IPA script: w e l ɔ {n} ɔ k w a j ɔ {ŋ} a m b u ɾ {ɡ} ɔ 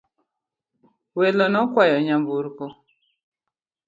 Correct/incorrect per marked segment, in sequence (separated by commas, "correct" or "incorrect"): correct, incorrect, incorrect